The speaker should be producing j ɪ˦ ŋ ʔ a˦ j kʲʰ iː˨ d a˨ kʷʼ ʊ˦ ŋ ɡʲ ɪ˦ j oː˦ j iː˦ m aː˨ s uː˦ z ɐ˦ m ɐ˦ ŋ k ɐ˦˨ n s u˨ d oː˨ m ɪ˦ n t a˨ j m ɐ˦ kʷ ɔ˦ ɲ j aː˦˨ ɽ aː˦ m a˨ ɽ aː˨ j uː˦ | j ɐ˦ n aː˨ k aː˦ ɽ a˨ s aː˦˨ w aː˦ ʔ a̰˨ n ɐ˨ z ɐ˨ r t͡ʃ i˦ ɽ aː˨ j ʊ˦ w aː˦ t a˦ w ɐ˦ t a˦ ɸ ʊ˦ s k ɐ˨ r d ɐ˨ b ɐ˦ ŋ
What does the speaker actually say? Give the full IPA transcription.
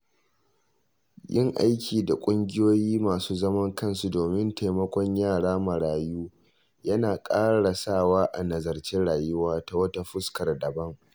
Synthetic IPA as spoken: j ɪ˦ ŋ ʔ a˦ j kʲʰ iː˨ d a˨ kʷʼ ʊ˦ ŋ ɡʲ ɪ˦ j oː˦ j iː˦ m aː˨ s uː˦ z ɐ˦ m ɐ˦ ŋ k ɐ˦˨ n s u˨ d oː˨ m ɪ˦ n t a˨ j m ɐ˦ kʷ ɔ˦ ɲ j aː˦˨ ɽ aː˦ m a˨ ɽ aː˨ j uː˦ | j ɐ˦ n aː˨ kʼ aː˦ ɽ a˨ s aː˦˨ w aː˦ ʔ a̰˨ n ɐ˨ z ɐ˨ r t͡ʃ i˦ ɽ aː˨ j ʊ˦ w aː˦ t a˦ w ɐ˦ t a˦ ɸ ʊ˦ s k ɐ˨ r d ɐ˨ b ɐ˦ ŋ